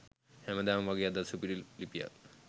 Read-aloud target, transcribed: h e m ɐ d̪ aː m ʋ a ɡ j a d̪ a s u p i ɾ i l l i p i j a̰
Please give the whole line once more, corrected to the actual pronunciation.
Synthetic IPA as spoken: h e m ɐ d̪ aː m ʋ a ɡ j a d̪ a s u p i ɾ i l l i p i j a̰